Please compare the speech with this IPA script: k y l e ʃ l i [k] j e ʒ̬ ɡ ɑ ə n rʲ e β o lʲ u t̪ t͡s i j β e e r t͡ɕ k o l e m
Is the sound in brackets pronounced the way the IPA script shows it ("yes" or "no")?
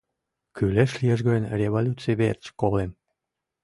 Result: no